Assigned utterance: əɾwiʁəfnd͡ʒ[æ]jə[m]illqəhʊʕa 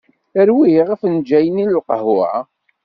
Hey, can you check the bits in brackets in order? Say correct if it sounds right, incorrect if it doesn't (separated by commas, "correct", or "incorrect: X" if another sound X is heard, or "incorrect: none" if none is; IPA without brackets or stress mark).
correct, incorrect: n